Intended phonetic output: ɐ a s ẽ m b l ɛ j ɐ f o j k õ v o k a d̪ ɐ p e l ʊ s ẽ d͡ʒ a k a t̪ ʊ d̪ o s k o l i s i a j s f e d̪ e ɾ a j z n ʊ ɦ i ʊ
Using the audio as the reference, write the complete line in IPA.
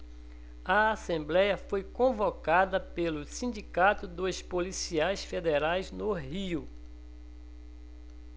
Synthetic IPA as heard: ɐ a s ẽ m b l ɛ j ɐ f o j k õ v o k a d̪ ɐ p e l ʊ s ĩ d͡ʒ i k a t̪ ʊ d̪ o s p o l i s i a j s f e d̪ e ɾ a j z n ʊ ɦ i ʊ